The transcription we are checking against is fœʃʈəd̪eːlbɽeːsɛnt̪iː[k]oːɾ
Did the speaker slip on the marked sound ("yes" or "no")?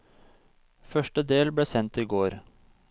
yes